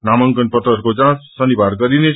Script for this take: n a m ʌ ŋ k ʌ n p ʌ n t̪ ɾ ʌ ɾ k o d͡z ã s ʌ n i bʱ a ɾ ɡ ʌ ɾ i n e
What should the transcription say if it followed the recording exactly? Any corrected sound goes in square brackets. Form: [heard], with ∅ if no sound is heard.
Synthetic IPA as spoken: n a m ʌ ŋ k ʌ n p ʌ [∅] t̪ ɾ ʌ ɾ k o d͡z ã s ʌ n i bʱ a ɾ ɡ ʌ ɾ i n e